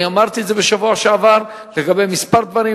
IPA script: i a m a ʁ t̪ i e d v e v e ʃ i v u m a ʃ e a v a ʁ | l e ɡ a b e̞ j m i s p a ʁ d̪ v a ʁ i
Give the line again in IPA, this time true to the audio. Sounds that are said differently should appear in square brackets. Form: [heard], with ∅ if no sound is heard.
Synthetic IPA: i a m a ʁ t̪ i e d [z] e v e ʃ [a] v u [∅] a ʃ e a v a ʁ | l e ɡ a b e̞ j m i s p a ʁ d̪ v a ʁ i

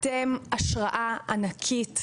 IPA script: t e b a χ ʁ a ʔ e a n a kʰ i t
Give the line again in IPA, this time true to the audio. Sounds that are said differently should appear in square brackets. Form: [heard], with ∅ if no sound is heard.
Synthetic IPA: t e [m] a [ʃ] ʁ a ʔ [a] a n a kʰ i t

